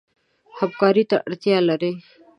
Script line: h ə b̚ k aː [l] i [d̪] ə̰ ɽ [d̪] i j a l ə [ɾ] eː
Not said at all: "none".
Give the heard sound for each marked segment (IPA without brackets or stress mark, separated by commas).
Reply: ɾ, t̪, t̪, ɾ